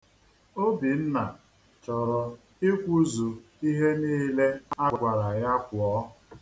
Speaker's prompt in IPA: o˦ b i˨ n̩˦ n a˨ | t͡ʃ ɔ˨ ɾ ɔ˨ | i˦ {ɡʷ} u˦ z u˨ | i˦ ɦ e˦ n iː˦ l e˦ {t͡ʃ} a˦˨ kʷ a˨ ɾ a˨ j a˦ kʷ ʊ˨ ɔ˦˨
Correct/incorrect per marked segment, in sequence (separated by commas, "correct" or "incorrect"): incorrect, incorrect